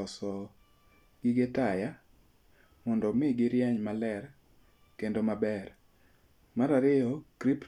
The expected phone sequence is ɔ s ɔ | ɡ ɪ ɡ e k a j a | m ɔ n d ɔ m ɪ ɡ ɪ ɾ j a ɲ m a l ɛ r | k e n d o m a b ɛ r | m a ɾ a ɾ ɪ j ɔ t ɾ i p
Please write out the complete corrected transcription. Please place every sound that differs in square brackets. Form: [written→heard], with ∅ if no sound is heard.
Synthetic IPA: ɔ s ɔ | ɡ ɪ ɡ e [k→t] a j a | m ɔ n d ɔ m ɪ ɡ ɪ ɾ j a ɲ m a l ɛ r | k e n d o m a b ɛ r | m a ɾ a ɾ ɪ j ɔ [t→k] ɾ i p